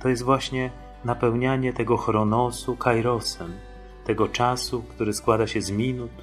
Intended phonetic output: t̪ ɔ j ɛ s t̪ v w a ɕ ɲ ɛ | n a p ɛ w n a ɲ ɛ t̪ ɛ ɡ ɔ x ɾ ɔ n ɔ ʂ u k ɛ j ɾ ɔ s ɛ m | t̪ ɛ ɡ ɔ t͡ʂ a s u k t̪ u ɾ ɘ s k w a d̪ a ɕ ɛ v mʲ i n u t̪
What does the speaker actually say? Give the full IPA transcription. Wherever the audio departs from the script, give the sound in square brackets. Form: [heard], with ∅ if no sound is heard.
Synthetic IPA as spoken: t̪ ɔ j ɛ s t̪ v w a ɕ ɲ ɛ | n a p ɛ w [ɲ] a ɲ ɛ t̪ ɛ ɡ ɔ x ɾ ɔ n ɔ [s] u k [a] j ɾ ɔ s ɛ m | t̪ ɛ ɡ ɔ t͡ʂ a s u k t̪ u ɾ ɘ s k w a d̪ a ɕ ɛ [z] mʲ i n u t̪